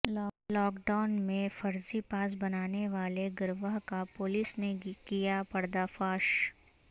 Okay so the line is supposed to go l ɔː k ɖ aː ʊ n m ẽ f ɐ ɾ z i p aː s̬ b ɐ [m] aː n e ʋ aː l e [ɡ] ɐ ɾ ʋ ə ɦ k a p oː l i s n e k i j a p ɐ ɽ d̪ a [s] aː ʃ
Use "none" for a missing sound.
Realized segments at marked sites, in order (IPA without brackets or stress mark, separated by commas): n, ɡ, f